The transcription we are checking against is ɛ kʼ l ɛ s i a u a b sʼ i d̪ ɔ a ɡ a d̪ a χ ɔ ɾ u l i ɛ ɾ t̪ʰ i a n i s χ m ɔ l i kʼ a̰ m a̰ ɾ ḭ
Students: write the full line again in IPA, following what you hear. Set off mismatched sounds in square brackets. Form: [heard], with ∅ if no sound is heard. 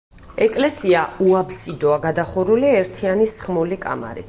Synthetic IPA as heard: ɛ kʼ l ɛ s i a u a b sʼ i d̪ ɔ a ɡ a d̪ a χ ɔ ɾ u l i ɛ ɾ t̪ʰ i a n i s χ m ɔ l i kʼ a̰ m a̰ ɾ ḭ